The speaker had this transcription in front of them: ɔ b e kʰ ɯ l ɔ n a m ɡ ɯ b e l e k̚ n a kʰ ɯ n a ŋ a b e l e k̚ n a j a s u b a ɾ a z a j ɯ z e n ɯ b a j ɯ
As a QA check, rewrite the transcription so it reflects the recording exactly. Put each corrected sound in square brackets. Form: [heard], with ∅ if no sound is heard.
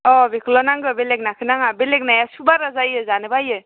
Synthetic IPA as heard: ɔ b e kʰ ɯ l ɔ n a [ŋ] ɡ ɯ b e l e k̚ n a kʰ ɯ n a ŋ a b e l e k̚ n a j a s u b a ɾ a z a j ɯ z [a] n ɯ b a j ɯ